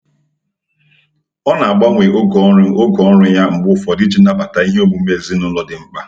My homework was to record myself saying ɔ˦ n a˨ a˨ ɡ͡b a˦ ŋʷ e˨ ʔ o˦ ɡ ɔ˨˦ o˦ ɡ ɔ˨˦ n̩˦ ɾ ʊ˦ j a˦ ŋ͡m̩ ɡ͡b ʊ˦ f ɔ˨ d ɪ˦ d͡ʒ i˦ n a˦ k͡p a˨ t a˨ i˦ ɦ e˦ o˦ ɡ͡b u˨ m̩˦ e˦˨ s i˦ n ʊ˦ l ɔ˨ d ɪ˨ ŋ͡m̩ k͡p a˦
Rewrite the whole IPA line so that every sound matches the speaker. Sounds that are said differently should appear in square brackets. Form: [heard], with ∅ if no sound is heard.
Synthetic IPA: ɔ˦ n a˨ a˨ ɡ͡b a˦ ŋʷ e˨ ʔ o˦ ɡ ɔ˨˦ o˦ ɡ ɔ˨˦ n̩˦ ɾ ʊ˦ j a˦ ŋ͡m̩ ɡ͡b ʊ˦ f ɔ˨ d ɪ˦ d͡ʒ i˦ n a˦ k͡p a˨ t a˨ i˦ ɦ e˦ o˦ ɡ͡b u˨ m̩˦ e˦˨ [z] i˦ n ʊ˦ l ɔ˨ d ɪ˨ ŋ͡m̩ k͡p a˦